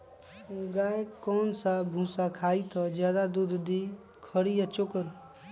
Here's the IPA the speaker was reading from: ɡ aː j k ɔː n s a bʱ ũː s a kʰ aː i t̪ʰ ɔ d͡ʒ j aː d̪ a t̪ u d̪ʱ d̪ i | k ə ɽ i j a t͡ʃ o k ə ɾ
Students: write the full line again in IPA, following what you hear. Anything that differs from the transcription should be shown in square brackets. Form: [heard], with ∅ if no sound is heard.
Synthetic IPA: ɡ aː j k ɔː n s a bʱ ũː s a kʰ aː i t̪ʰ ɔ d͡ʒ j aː d̪ a [d̪] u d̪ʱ d̪ i | [kʰ] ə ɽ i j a t͡ʃ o k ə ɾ